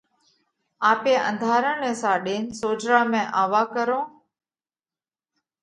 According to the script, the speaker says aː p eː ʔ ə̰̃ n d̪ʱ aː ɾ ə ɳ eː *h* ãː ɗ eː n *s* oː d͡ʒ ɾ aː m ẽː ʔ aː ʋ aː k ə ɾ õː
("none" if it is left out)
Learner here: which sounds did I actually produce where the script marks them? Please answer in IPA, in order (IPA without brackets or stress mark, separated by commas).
s, s